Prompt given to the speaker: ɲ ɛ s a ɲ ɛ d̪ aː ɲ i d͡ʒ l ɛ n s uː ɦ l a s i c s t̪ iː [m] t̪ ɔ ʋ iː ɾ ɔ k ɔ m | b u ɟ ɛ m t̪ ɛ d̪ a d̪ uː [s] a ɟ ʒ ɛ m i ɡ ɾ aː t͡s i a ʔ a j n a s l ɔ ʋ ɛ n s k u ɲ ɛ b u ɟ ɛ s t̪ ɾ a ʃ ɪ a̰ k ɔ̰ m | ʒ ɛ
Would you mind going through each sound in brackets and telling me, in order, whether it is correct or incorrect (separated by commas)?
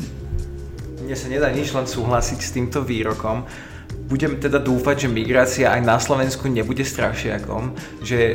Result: correct, incorrect